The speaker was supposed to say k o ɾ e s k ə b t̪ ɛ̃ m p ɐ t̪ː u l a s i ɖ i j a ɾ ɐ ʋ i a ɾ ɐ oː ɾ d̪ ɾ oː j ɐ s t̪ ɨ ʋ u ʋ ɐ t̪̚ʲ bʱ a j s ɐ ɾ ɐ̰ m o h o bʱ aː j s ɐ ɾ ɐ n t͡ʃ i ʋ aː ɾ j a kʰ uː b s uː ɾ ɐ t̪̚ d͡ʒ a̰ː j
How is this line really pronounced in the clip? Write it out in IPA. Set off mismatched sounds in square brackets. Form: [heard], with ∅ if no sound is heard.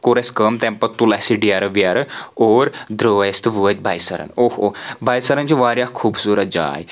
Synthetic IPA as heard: k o ɾ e s k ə [m] t̪ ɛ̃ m p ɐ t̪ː u l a s i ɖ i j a ɾ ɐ ʋ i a ɾ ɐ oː ɾ d̪ ɾ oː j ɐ s t̪ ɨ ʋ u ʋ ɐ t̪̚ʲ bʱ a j s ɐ ɾ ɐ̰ [n] o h o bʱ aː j s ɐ ɾ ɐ n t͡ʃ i ʋ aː ɾ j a kʰ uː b s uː ɾ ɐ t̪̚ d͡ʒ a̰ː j